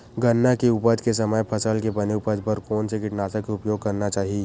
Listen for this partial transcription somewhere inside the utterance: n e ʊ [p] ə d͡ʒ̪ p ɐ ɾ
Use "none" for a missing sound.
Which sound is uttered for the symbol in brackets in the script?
p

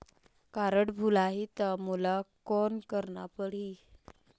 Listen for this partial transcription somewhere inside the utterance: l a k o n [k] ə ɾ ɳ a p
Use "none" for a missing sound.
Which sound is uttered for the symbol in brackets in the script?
k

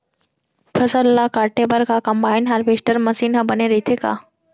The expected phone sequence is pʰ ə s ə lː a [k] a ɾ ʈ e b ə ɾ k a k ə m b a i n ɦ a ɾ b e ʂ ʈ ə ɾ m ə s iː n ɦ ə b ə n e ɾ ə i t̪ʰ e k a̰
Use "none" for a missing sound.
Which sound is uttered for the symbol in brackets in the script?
k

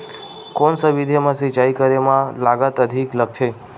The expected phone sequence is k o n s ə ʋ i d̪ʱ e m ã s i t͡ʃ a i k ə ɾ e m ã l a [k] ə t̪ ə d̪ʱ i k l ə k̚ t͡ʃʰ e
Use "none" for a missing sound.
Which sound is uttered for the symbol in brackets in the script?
ɡ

